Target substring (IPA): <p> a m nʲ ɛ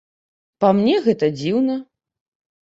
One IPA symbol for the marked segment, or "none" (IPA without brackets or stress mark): p